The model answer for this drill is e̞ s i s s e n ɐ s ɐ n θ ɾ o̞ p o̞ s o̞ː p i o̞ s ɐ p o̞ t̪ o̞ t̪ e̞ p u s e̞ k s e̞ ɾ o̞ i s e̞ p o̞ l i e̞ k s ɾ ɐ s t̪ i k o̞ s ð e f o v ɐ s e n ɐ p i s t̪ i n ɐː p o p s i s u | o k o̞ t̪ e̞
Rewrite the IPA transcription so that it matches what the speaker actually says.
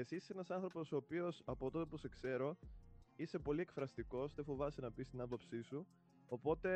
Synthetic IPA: e̞ s i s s e n ɐ s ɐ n θ ɾ o̞ p o̞ s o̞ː p i o̞ s ɐ p o̞ t̪ o̞ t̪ e̞ p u s e̞ k s e̞ ɾ o̞ i s e̞ p o̞ l i e̞ k f ɾ ɐ s t̪ i k o̞ s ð e f o v ɐ s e n ɐ p i s t̪ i n ɐ p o p s i s u | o p o̞ t̪ e̞